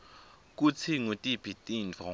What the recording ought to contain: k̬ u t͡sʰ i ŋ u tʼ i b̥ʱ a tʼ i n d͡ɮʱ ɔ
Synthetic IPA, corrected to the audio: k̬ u t͡sʰ i ŋ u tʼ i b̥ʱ i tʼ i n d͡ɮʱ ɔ